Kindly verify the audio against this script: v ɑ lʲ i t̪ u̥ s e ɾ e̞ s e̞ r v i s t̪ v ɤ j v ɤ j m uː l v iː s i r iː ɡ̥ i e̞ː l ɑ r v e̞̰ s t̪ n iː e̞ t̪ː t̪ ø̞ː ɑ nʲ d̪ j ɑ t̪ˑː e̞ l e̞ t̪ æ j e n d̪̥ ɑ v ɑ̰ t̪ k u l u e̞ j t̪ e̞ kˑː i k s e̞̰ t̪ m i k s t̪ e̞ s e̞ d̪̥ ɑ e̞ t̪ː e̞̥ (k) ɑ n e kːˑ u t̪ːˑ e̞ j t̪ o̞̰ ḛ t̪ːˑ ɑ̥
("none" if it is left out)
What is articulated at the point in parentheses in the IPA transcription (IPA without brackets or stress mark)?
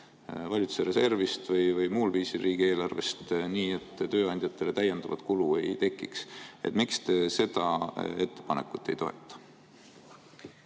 p